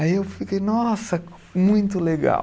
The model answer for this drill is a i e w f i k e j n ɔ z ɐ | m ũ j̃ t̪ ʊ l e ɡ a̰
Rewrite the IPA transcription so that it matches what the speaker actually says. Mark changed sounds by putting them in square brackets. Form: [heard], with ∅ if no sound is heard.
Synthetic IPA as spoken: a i e w f i k e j n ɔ [s] ɐ | m ũ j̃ t̪ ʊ l e ɡ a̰